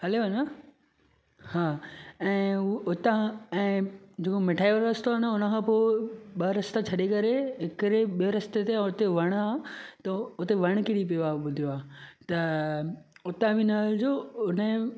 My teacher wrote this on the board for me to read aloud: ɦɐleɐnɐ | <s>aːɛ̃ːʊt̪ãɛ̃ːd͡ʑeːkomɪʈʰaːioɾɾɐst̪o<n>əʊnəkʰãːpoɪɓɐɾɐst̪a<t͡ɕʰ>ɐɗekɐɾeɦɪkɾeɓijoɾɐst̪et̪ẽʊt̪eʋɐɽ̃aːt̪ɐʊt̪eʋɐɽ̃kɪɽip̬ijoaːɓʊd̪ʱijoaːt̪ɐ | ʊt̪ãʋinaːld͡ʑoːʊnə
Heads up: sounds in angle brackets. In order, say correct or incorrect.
incorrect, correct, correct

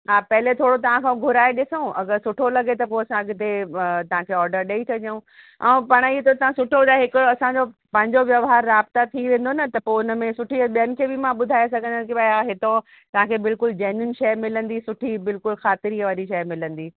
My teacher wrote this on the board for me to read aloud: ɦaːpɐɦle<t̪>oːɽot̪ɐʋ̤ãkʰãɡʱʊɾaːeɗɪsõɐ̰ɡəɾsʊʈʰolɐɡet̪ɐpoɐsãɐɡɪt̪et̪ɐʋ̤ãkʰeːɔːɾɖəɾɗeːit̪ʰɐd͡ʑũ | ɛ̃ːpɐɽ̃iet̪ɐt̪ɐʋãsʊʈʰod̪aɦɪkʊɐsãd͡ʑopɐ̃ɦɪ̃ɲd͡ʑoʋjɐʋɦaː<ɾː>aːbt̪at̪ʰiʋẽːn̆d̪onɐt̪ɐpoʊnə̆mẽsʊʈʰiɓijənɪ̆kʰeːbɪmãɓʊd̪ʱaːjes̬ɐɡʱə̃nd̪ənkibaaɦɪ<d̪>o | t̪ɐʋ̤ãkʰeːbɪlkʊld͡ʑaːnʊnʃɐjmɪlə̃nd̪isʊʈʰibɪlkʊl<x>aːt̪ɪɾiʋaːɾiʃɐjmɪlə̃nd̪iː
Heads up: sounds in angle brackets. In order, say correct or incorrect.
incorrect, correct, incorrect, correct

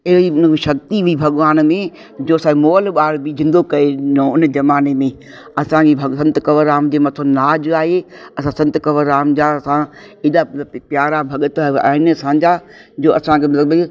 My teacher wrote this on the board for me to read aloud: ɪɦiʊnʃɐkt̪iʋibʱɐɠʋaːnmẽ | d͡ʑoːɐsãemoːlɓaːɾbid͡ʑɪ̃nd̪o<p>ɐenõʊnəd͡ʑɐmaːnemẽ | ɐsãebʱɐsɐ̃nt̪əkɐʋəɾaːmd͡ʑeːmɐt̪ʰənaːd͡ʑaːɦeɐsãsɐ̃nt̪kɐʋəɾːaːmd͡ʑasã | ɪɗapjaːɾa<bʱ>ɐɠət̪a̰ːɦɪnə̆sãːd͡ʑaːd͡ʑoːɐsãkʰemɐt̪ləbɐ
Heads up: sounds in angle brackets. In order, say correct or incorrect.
incorrect, correct

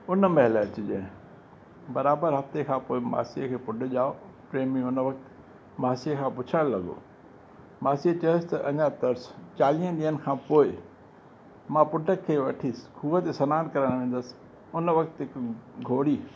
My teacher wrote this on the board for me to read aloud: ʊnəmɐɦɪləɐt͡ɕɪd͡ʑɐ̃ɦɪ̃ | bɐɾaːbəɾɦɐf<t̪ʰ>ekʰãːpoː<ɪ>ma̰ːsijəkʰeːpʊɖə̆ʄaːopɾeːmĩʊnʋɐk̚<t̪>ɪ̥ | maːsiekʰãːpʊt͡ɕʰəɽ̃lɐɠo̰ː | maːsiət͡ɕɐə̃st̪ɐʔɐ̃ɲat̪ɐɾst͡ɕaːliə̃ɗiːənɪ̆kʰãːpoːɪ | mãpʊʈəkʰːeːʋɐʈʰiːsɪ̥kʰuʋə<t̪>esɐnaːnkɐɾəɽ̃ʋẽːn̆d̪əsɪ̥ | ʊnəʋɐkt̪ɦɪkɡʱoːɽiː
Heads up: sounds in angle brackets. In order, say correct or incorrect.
incorrect, correct, correct, correct

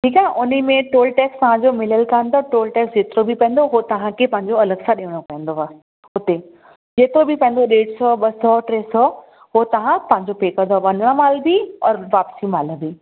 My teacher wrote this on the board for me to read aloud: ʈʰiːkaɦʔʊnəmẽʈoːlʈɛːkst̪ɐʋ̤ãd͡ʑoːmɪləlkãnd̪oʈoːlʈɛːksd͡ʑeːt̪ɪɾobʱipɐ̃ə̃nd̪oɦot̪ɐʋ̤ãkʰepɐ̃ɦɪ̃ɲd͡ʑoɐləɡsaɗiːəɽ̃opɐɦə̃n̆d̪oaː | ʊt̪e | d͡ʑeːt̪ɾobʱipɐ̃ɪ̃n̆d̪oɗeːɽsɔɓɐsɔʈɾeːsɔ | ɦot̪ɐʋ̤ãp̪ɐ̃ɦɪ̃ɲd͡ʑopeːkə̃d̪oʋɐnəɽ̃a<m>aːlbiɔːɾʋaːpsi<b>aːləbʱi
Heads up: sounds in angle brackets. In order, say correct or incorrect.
correct, incorrect

